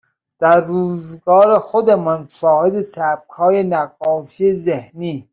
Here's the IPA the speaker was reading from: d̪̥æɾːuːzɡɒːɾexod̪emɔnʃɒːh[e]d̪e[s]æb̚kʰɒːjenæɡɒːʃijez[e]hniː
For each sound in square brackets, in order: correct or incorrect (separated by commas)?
correct, correct, correct